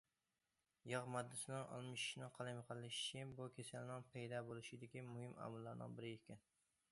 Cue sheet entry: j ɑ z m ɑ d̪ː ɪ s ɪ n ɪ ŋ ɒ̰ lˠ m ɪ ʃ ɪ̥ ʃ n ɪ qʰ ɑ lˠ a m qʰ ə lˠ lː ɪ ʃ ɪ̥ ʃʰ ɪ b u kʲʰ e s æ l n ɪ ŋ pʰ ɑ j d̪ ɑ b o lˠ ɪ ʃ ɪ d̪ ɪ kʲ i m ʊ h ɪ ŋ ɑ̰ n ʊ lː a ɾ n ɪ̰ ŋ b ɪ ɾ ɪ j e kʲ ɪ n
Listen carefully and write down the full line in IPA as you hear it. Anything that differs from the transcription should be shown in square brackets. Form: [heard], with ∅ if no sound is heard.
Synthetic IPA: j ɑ [ʁ] m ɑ d̪ː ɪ s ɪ n ɪ ŋ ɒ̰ lˠ m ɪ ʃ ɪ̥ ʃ n ɪ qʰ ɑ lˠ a m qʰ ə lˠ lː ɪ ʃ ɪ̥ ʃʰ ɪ b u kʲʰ e s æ l n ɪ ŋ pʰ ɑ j d̪ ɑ b o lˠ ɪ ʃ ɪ d̪ ɪ kʲ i m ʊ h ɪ [m] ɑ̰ [m] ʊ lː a ɾ n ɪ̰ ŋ b ɪ ɾ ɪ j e kʲ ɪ n